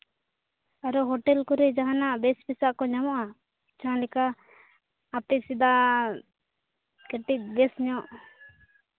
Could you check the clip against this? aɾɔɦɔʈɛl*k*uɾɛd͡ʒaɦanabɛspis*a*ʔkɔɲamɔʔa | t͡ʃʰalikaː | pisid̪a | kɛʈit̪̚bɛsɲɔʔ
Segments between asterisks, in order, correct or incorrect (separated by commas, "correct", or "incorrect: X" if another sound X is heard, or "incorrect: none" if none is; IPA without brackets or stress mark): correct, correct